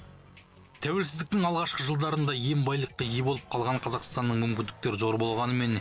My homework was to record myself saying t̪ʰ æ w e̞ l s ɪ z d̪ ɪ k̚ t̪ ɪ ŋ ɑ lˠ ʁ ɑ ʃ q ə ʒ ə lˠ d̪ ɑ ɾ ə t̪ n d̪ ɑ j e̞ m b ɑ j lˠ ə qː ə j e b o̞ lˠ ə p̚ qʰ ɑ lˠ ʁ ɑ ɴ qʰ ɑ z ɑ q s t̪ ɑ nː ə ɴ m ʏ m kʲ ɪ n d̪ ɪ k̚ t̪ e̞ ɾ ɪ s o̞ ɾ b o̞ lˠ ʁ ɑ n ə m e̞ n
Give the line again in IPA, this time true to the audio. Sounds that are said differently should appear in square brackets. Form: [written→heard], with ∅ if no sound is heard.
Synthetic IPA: t̪ʰ æ w e̞ l s ɪ z d̪ ɪ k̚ t̪ ɪ ŋ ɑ lˠ ʁ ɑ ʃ q ə ʒ ə lˠ d̪ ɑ ɾ ə [t̪→∅] n d̪ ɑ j e̞ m b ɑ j lˠ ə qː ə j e b o̞ lˠ ə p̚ qʰ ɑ lˠ ʁ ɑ ɴ qʰ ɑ z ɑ q s t̪ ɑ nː ə ɴ m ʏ m kʲ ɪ n d̪ ɪ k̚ t̪ e̞ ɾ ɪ [s→z] o̞ ɾ b o̞ lˠ ʁ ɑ n ə m e̞ n